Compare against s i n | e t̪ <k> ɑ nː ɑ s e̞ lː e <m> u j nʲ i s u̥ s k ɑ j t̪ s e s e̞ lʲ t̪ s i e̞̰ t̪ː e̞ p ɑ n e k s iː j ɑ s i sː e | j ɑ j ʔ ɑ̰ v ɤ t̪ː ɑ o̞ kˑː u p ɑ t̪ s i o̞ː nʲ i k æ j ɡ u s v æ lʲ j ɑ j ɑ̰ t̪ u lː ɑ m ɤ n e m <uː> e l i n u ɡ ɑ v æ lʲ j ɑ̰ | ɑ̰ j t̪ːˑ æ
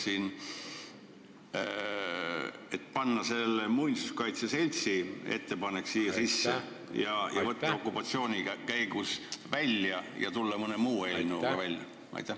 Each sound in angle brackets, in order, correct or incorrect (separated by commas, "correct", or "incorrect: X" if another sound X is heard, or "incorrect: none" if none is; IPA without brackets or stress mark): incorrect: p, correct, correct